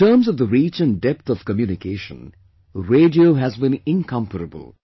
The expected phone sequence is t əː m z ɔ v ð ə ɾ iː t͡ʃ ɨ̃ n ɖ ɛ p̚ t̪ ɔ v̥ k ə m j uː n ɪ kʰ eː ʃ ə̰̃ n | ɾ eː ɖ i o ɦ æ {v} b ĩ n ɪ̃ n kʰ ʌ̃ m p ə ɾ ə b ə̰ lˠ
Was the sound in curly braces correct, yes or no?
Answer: no